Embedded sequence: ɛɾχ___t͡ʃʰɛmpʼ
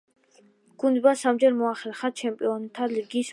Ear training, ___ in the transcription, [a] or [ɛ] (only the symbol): a